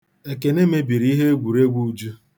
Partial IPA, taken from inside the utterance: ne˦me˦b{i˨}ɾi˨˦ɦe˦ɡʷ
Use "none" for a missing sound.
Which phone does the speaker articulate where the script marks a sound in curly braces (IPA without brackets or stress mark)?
i˨